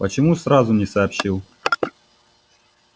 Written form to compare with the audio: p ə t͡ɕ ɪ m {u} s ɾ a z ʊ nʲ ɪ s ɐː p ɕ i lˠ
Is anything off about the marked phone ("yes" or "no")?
no